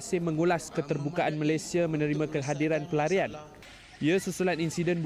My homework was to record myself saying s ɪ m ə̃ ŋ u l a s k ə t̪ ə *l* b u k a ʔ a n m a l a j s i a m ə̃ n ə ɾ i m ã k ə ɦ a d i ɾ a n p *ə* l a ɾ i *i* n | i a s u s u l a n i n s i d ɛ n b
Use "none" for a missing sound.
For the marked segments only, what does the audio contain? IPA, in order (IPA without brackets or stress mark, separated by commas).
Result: r, ə, a